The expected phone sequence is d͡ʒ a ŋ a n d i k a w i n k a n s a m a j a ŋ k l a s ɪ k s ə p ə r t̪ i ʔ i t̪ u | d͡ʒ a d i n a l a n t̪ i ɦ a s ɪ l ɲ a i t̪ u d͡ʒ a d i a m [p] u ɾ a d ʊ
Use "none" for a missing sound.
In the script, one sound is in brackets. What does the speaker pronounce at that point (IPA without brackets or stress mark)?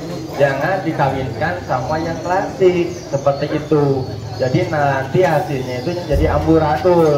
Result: b